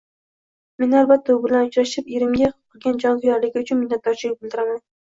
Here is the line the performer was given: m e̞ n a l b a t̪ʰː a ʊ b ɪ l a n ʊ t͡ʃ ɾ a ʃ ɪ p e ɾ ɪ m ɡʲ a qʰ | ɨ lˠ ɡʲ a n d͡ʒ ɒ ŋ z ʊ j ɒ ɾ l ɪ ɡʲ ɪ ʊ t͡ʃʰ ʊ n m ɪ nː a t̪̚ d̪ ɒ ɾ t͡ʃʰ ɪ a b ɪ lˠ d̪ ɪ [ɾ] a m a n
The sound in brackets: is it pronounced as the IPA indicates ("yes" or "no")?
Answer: yes